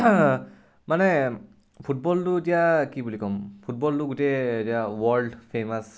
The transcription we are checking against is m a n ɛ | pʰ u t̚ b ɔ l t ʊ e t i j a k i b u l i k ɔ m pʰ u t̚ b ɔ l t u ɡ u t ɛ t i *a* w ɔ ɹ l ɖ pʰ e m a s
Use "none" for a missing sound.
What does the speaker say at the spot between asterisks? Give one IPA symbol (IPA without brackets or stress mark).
a